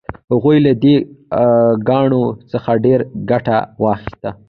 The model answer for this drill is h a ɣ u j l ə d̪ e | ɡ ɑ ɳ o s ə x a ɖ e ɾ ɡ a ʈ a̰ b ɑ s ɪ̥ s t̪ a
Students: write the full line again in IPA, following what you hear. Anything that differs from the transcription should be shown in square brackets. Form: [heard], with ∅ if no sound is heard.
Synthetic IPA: h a ɣ u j l [a] d̪ e | ɡ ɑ ɳ o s ə x a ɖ e ɾ ɡ a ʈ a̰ [w] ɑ [x] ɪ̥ s t̪ a

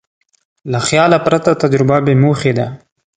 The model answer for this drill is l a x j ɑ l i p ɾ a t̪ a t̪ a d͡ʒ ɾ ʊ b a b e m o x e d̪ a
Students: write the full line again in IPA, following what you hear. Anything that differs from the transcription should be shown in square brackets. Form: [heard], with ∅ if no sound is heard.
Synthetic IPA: l a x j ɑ l [a] p ɾ a t̪ a t̪ a d͡ʒ ɾ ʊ b a b e m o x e d̪ a

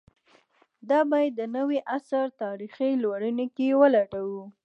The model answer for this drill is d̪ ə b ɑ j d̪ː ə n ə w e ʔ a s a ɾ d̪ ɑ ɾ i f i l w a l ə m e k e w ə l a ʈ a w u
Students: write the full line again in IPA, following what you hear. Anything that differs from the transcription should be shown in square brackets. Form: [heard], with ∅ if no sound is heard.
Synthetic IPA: d̪ [ɑ] b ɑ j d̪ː ə n ə w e ʔ a s a ɾ [t̪] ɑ ɾ i [x] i l w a [ɽ] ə [n] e k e w ə l a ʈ a w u

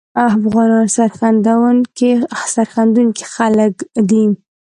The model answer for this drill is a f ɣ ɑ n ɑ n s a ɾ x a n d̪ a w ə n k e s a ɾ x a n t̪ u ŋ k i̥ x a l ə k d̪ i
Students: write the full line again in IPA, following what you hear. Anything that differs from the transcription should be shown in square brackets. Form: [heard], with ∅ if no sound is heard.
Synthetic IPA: a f ɣ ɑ n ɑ n s a ɾ x a n d̪ a w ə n k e s a ɾ x a n [d̪] u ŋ k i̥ x a l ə k d̪ i

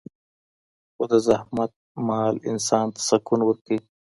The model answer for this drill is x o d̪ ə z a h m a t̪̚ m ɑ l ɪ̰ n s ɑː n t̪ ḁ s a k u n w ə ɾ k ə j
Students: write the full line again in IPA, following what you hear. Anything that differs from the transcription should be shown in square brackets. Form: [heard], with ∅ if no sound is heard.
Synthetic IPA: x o d̪ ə z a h m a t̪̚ m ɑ l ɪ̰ n s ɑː n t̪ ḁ s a k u n w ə ɾ k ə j

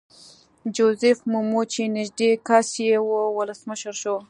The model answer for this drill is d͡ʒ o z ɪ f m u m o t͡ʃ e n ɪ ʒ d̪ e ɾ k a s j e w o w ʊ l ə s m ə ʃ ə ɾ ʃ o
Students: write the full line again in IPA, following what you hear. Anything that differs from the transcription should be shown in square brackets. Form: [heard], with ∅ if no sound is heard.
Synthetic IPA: d͡ʒ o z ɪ f m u m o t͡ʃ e n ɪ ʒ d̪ e [∅] k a s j e w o w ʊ l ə s m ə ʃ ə ɾ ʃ o

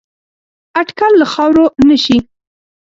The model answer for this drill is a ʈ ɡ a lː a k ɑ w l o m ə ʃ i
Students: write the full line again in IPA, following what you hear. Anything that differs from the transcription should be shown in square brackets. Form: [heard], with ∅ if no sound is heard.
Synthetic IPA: a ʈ [k] a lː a [x] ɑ w [ɾ] o [n] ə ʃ i

